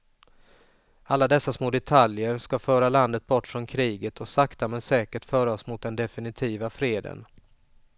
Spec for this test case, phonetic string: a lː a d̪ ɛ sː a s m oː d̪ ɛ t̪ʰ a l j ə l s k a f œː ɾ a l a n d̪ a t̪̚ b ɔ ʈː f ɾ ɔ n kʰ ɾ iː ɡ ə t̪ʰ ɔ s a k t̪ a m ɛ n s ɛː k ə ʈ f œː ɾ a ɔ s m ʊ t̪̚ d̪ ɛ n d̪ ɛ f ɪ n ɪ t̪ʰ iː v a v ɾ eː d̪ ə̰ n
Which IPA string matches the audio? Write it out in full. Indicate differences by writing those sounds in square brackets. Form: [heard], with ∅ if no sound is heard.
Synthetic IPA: a lː a d̪ ɛ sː a s m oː d̪ ɛ t̪ʰ a l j ə [ɾ] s k a f œː ɾ a l a n d̪ [ə] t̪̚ b ɔ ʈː f ɾ ɔ n kʰ ɾ iː ɡ ə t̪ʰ ɔ s a k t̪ a m ɛ n s ɛː k ə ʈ f œː ɾ a ɔ s m ʊ t̪̚ d̪ ɛ n d̪ ɛ f ɪ n ɪ t̪ʰ iː v a [f] ɾ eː d̪ ə̰ n